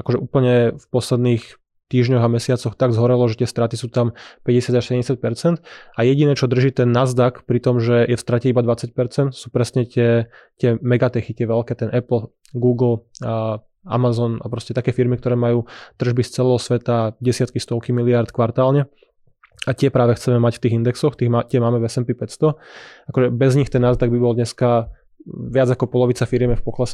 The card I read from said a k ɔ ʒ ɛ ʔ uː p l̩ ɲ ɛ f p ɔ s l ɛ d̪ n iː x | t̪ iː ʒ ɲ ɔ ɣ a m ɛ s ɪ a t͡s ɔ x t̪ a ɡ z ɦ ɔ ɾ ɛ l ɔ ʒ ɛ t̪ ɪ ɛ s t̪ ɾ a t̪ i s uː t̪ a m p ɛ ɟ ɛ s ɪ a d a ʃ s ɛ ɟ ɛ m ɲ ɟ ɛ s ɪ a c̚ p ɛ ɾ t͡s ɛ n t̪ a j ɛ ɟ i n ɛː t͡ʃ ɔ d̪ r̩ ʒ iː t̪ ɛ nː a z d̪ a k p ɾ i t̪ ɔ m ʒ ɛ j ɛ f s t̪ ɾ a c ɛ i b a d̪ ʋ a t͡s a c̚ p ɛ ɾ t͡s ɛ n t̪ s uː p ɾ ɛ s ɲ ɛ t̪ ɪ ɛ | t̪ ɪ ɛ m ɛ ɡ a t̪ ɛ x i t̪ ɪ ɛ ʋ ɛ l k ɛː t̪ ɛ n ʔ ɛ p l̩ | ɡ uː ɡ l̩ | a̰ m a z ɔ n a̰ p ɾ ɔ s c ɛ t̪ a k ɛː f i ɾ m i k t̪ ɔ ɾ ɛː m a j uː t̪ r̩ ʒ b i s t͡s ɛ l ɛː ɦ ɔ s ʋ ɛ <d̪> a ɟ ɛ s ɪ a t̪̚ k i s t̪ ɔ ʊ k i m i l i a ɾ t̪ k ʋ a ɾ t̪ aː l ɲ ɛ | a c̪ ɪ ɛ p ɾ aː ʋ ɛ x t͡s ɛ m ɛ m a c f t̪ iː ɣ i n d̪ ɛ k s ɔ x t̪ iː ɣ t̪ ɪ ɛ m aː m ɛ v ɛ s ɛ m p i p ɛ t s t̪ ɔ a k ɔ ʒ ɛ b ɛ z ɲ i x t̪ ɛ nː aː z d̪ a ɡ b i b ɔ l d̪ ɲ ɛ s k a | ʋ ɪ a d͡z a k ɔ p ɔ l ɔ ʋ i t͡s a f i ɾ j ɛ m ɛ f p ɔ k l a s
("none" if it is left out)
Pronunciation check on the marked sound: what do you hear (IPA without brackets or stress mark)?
t̪